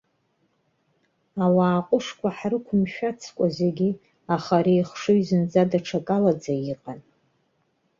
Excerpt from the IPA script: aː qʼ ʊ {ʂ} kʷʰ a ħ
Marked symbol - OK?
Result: yes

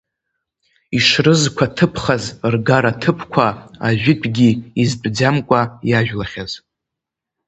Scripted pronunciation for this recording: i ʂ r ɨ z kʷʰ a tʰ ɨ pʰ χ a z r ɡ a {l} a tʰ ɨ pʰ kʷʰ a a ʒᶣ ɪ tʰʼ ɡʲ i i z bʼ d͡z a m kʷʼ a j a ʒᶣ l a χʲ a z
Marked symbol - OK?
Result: no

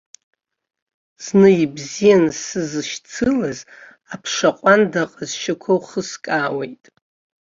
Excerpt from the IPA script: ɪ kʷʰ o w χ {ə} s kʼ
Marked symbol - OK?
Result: yes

